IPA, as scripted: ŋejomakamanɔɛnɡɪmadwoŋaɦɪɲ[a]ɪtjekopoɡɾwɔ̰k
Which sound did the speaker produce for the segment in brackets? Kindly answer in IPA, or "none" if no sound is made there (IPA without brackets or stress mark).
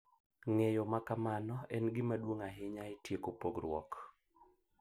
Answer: a